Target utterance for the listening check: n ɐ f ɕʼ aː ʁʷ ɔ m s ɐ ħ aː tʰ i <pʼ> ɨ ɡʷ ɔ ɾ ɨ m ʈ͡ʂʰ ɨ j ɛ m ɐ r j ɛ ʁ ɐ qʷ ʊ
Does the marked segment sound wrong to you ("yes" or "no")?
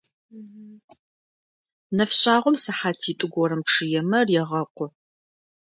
yes